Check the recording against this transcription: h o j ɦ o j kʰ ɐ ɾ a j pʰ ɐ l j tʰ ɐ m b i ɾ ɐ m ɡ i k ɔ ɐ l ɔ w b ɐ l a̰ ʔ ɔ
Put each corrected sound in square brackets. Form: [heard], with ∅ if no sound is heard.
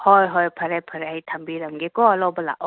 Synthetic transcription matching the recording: h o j ɦ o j [pʰ] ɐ ɾ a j pʰ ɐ [ɾ] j tʰ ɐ m b i ɾ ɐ m ɡ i k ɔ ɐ l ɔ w b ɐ l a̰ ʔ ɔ